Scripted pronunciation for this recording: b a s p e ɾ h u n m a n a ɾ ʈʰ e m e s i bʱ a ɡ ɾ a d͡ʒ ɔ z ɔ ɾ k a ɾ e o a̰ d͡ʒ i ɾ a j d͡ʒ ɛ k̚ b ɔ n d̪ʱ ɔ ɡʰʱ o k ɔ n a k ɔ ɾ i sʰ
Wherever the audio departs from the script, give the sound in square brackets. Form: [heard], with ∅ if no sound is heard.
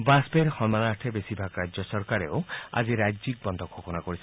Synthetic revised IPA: b a s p e ɾ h [ɔ] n m a n a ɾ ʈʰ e [b] e s i bʱ a ɡ ɾ a d͡ʒ ɔ [s] ɔ ɾ k a ɾ e o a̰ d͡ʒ i ɾ a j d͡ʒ [i] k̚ b ɔ n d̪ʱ ɔ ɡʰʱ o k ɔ n a k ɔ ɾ i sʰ